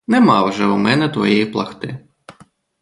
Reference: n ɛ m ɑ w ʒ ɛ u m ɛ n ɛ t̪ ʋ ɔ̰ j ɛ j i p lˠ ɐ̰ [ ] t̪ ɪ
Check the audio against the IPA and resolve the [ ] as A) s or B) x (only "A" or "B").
B